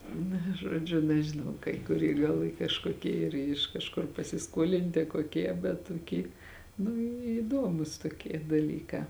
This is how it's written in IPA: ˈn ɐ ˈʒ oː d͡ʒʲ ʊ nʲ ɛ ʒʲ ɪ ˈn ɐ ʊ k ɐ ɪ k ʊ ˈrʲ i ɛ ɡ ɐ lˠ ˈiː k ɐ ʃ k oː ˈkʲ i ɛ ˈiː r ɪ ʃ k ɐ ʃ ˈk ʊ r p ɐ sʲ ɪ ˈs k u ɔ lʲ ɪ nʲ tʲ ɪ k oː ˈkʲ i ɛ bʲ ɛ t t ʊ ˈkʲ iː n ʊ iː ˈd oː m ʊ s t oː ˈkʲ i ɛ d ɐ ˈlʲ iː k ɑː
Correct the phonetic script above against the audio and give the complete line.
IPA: ˈn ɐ ˈʒ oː d͡ʒʲ ʊ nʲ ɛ ʒʲ ɪ ˈn ɐ ʊ k ɐ ɪ k ʊ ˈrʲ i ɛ ɡ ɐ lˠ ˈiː k ɐ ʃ k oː ˈkʲ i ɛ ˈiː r ɪ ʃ k ɐ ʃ ˈk ʊ r p ɐ sʲ ɪ ˈs k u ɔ lʲ ɪ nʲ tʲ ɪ k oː ˈkʲ i ɛ bʲ ɛ t t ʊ ˈkʲ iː n ʊ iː ˈd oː m ʊ s t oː ˈkʲ i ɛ d ɐ ˈlʲ iː k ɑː